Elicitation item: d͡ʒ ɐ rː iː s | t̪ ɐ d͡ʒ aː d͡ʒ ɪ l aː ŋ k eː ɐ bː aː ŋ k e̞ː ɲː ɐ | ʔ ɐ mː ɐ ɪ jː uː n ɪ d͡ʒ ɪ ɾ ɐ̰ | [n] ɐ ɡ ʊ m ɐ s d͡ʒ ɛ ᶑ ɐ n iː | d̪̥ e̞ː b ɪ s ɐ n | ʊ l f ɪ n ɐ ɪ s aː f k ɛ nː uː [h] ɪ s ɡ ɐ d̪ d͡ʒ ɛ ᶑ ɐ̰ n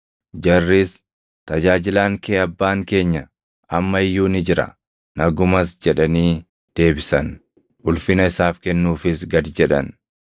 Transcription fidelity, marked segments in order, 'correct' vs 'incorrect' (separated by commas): correct, incorrect